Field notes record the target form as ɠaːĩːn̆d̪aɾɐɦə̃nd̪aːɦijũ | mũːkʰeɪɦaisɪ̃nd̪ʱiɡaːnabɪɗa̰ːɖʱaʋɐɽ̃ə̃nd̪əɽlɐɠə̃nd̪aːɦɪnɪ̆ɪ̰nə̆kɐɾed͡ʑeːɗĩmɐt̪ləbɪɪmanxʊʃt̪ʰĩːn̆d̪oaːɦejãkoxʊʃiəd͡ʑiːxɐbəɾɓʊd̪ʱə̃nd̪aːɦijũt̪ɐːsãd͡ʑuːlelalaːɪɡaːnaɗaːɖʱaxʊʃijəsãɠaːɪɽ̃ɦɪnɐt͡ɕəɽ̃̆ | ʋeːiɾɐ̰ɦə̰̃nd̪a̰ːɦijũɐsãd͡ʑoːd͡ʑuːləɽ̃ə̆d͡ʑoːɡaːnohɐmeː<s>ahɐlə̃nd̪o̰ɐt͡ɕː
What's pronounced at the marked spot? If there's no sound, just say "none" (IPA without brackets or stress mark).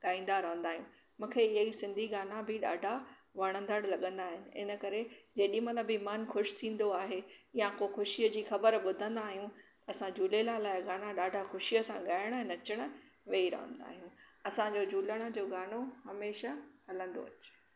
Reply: ʃ